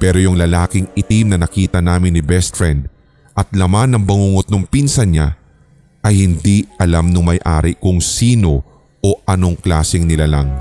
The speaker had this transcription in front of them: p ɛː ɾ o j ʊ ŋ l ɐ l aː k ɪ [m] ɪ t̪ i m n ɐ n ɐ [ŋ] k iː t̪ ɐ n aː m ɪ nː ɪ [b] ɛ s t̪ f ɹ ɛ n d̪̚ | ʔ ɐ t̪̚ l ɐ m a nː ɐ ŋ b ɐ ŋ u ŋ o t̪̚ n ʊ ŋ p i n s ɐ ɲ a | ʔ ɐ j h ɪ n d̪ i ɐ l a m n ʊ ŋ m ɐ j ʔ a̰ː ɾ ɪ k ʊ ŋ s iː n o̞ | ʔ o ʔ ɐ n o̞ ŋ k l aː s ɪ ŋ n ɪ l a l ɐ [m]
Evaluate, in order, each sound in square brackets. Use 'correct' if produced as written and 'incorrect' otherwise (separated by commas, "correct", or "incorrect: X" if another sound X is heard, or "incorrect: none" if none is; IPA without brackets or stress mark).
incorrect: ŋ, incorrect: none, correct, incorrect: ŋ